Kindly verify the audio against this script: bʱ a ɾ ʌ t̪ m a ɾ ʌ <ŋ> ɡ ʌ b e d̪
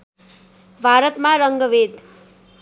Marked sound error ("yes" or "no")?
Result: no